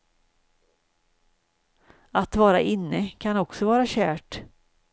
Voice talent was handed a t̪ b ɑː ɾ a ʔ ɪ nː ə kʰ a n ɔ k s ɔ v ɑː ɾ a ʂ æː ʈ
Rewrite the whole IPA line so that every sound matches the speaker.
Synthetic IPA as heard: a t̪ v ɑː ɾ a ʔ ɪ nː ə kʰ a n ɔ k s ɔ v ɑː ɾ a ɕ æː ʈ